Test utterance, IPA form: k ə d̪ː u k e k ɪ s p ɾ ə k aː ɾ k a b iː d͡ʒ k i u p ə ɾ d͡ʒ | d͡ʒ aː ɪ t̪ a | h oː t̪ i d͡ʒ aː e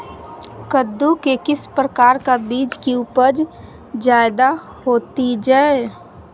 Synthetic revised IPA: k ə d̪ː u k e k ɪ s p ɾ ə k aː ɾ k a b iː d͡ʒ k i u p ə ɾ d͡ʒ | d͡ʒ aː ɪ d̪ a | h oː t̪ i d͡ʒ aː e

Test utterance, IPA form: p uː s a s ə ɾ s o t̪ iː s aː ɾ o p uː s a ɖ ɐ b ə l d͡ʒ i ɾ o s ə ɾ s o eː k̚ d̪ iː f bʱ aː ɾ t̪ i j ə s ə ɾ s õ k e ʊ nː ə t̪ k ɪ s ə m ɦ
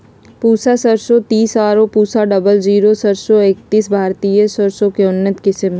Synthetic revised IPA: p uː s a s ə ɾ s o t̪ iː s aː ɾ o p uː s a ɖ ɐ b ə l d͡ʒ iː ɾ o s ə ɾ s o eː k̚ t̪ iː s bʱ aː ɾ t̪ i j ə s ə ɾ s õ k e ʊ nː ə t̪ k ɪ s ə m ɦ

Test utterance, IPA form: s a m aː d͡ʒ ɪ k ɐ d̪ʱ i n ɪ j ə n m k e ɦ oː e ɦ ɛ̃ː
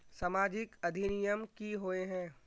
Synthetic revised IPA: s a m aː d͡ʒ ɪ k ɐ d̪ʱ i n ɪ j ə m k i ɦ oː e ɦ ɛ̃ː

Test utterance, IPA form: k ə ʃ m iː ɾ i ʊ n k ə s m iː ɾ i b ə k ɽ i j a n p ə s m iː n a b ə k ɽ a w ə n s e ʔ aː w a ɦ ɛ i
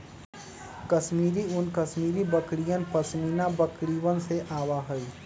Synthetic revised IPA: k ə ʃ m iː ɾ i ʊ n k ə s m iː ɾ i b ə k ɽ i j ə n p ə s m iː n a b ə k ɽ i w ə n s e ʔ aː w a ɦ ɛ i

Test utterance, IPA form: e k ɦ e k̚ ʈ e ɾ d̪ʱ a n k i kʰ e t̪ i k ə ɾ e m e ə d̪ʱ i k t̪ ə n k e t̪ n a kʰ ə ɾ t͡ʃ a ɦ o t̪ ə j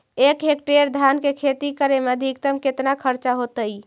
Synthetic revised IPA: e k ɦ e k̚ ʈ e ɾ d̪ʱ a n k e kʰ e t̪ i k ə ɾ e m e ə d̪ʱ i k t̪ ə m k e t̪ n a kʰ ə ɾ t͡ʃ a ɦ o t̪ ə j

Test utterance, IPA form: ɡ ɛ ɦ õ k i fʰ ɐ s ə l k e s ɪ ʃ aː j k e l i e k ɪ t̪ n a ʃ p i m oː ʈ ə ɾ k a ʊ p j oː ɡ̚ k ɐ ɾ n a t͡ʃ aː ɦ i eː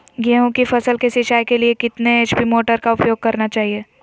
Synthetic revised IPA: ɡ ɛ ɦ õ k i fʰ ɐ s ə l k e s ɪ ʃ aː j k e l i e k ɪ t̪ n e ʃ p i m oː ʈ ə ɾ k a ʊ p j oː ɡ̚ k ɐ ɾ n a t͡ʃ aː ɦ i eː

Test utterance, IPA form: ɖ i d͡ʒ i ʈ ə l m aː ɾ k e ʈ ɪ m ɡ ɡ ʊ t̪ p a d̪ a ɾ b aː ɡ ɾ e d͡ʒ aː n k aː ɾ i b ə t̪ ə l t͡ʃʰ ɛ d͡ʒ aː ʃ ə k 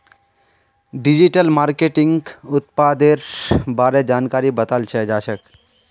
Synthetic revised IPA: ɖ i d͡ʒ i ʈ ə l m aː ɾ k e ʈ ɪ ŋ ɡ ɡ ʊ t̪ p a d̪ e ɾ b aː ɾ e d͡ʒ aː n k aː ɾ i b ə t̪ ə l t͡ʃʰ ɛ d͡ʒ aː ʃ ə k

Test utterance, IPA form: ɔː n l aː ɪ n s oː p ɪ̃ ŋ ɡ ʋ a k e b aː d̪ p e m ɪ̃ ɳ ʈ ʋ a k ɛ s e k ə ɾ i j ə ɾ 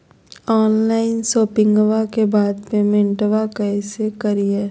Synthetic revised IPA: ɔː n l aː ɪ n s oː p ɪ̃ ŋ ɡ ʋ a k e b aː d̪ p e m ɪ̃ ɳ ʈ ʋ a k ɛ s e k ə ɾ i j ə ɾ

